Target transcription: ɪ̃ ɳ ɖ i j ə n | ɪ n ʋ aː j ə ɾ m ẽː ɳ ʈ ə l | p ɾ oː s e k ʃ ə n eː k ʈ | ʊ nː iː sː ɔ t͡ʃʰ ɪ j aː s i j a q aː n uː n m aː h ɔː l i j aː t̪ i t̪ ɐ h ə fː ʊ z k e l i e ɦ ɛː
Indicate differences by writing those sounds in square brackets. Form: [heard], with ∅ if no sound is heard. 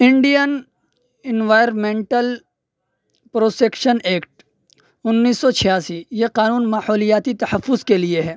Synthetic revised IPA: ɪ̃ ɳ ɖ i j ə n | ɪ n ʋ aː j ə ɾ m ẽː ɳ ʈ ə l | p ɾ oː s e k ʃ ə n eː k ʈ | ʊ nː iː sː ɔ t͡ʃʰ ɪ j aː s i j [e] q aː n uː n m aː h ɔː l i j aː t̪ i t̪ ɐ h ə fː ʊ z k e l i e ɦ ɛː